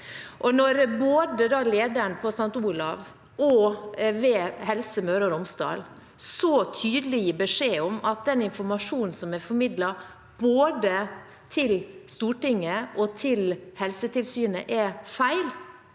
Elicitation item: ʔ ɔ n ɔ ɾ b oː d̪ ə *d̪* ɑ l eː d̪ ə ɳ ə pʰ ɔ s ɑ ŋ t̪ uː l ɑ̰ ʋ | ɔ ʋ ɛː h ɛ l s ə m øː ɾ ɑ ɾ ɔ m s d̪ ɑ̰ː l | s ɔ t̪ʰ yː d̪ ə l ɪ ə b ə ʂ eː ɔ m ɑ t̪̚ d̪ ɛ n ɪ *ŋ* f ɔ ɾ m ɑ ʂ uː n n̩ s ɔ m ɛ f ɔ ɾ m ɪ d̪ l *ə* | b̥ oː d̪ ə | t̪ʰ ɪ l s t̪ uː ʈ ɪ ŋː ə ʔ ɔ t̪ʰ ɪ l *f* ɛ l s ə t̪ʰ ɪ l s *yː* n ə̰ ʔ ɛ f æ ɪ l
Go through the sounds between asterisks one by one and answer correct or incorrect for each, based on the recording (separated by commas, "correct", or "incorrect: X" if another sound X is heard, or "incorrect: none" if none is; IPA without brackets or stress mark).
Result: correct, incorrect: n, incorrect: ɑ, incorrect: h, correct